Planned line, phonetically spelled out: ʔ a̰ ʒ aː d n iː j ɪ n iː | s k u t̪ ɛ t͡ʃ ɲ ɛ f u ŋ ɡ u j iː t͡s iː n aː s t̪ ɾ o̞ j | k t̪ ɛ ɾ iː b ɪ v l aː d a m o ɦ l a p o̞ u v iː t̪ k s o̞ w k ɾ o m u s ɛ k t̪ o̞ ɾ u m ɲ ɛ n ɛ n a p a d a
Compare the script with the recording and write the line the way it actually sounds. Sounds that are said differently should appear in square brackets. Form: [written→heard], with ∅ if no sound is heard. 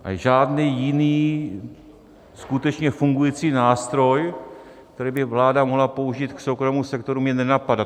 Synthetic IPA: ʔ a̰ ʒ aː d n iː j ɪ n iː | s k u t̪ ɛ t͡ʃ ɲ ɛ f u ŋ ɡ u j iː t͡s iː n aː s t̪ ɾ o̞ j | k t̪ ɛ ɾ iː b ɪ v l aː d a m o ɦ l a p o̞ u [v→ʒ] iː t̪ k s o̞ w k ɾ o m u s ɛ k t̪ o̞ ɾ u m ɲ ɛ n ɛ n a p a d a

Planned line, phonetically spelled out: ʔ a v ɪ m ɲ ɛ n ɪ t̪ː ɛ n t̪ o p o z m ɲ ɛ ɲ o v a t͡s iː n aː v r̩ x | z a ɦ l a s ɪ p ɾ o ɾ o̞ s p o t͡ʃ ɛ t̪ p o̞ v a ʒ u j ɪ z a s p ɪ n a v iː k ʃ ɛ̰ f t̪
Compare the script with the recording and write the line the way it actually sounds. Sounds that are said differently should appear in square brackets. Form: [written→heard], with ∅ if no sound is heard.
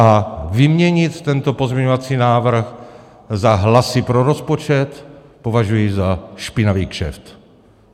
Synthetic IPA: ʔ a v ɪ m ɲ ɛ [n→ɲ] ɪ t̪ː ɛ n t̪ o p o z m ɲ ɛ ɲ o v a t͡s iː n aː v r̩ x | z a ɦ l a s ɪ p ɾ o ɾ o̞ s p o t͡ʃ ɛ t̪ p o̞ v a ʒ u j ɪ z a [s→ʃ] p ɪ n a v iː k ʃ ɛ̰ f t̪

